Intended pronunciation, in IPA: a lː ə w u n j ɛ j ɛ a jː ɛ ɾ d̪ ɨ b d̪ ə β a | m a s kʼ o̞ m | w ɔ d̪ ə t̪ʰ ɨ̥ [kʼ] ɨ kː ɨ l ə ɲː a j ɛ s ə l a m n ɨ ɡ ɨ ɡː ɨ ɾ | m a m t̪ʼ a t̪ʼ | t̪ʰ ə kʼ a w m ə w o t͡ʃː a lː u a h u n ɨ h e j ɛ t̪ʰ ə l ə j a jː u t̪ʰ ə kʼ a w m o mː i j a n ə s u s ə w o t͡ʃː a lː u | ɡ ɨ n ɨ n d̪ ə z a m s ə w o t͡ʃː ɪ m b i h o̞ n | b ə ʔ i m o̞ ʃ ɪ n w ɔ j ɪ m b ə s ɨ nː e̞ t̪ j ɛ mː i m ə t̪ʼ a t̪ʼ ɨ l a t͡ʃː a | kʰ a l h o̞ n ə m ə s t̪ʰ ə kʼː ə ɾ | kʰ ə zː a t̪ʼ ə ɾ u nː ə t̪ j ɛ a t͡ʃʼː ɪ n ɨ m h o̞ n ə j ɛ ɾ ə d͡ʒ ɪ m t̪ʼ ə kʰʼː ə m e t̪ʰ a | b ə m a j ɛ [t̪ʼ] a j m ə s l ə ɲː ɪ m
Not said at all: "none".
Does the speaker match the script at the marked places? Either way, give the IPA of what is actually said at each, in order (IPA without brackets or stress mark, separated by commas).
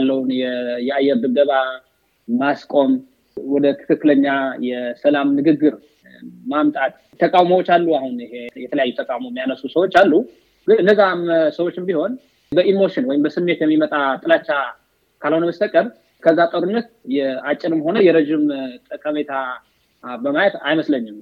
k, t̪